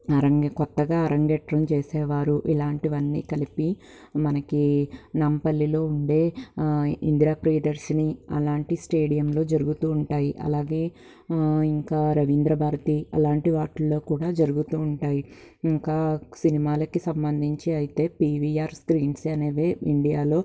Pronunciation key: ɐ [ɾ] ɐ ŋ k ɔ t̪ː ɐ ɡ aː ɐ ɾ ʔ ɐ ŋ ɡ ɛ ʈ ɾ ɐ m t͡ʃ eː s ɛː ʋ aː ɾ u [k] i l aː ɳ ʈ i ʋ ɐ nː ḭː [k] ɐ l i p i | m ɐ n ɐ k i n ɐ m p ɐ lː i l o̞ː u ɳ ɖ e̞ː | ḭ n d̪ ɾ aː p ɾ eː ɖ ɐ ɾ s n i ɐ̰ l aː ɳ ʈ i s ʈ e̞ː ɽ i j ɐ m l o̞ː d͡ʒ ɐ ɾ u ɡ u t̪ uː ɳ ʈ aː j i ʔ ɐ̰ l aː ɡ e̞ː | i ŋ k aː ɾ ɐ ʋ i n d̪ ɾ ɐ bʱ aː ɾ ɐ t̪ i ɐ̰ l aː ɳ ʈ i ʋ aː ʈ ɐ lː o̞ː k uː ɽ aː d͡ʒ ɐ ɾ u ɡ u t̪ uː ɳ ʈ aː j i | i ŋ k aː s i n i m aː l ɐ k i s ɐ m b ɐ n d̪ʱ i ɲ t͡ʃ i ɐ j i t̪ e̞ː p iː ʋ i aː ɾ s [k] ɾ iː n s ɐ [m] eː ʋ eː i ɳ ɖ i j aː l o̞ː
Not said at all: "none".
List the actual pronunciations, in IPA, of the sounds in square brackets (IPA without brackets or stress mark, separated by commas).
ɾ, ʔ, k, k, n